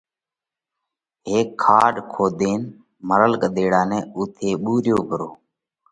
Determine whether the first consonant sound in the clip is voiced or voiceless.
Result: voiced